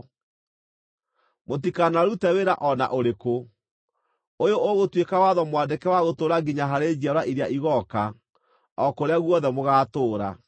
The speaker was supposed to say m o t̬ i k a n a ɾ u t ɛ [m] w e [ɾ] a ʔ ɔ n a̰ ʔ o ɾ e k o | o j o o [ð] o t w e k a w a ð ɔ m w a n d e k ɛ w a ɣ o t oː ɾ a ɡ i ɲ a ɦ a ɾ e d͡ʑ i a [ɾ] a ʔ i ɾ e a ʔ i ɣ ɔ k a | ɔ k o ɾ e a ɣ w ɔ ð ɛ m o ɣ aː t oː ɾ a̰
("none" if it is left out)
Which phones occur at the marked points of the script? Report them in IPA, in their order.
none, ɾ, ɣ, ɾ

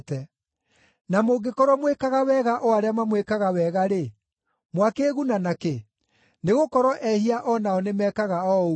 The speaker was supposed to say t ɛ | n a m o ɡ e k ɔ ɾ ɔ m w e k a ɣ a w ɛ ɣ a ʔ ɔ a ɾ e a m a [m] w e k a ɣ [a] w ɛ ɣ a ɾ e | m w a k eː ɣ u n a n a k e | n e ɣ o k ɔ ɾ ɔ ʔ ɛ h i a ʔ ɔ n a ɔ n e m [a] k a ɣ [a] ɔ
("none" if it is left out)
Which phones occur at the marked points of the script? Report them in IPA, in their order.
m, a, ɛ, a

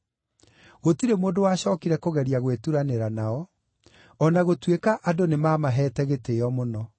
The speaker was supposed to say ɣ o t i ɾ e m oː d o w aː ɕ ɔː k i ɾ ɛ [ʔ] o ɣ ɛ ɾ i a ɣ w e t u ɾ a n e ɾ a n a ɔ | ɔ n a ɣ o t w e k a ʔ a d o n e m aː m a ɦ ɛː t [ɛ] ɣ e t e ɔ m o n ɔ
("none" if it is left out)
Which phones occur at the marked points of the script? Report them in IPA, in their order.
k, ɛ

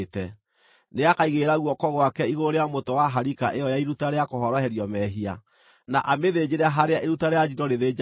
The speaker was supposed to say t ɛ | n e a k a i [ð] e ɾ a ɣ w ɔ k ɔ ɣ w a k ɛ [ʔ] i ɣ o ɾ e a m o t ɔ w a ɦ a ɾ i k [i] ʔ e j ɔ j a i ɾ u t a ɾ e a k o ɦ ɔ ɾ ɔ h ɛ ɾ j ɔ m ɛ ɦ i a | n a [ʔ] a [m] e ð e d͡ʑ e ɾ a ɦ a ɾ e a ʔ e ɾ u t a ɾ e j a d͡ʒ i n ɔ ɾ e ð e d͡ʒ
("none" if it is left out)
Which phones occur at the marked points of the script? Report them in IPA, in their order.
ɣ, none, a, ʔ, m

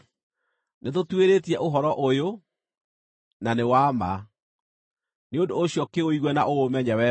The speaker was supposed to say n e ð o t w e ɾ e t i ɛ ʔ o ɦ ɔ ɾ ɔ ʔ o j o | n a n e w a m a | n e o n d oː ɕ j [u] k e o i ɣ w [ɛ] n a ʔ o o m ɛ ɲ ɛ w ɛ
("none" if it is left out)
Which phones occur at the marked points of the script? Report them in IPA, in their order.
ɔ, ɛ

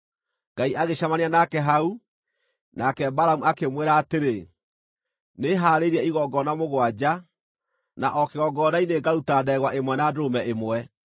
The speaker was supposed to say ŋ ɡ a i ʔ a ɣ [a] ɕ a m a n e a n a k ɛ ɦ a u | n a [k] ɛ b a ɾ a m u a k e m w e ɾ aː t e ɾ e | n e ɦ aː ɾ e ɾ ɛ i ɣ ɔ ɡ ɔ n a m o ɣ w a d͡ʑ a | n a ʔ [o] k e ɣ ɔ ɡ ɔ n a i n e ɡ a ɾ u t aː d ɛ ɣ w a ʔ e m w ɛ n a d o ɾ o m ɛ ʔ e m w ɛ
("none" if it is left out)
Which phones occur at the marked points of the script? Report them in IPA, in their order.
e, k, ɔ

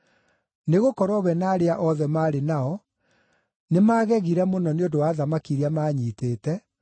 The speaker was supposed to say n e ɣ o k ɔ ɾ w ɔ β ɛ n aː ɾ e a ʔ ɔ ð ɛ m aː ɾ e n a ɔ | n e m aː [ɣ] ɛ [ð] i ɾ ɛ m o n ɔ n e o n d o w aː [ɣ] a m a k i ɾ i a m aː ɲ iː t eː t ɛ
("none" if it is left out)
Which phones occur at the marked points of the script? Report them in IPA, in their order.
ɣ, ɣ, ð

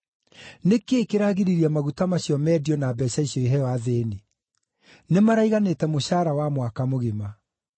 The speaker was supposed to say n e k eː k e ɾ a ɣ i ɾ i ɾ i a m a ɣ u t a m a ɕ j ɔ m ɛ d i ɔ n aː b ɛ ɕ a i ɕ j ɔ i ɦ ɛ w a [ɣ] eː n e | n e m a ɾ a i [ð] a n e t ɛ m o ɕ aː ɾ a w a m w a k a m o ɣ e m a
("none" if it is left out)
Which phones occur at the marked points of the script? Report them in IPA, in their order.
ð, ɣ

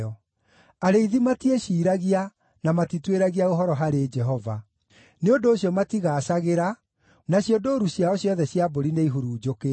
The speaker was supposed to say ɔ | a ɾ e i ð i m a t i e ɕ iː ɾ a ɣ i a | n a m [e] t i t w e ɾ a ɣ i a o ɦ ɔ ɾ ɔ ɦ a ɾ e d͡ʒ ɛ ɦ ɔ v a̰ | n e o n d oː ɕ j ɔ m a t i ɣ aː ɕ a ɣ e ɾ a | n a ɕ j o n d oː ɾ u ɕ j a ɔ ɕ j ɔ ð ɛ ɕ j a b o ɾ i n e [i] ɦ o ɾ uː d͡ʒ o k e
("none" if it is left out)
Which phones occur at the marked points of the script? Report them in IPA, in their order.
a, i

